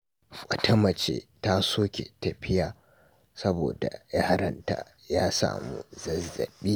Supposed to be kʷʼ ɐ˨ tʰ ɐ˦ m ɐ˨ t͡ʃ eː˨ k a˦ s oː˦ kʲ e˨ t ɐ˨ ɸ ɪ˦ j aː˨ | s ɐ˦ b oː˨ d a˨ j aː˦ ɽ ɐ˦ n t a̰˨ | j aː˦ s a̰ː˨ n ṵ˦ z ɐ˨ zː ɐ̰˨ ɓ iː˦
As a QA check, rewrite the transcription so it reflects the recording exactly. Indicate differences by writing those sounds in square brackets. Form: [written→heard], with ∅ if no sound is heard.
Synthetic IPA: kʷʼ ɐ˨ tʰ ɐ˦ m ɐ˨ t͡ʃ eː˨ [k→t] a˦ s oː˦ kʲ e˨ t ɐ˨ ɸ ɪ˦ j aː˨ | s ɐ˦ b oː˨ d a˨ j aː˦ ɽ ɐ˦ n t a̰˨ | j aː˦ s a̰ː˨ [n→m] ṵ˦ z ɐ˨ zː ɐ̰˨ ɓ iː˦